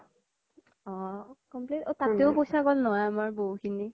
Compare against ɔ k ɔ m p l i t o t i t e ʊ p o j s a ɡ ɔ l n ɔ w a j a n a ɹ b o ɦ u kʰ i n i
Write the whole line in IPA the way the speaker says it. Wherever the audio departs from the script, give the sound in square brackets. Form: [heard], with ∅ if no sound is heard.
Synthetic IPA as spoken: ɔ k ɔ m p l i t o t [a] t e ʊ p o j s a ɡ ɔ l n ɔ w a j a [m] a ɹ b o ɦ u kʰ i n i